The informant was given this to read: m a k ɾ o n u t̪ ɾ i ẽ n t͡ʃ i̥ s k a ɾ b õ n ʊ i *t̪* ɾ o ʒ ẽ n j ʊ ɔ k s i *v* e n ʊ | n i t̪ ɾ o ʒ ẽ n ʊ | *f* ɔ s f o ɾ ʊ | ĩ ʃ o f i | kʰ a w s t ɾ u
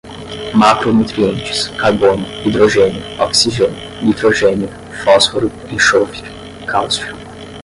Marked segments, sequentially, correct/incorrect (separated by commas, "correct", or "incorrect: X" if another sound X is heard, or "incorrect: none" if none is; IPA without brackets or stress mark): incorrect: d̪, incorrect: ʒ, correct